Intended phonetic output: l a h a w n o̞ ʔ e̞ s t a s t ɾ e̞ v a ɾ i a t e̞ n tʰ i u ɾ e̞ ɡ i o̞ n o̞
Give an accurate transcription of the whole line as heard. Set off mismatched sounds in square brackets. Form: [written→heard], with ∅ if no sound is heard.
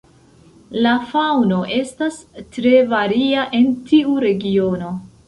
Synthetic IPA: l a [h→f] a w n o̞ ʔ e̞ s t a s t ɾ e̞ v a ɾ i a [t→ʔ] e̞ n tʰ i u ɾ e̞ ɡ i o̞ n o̞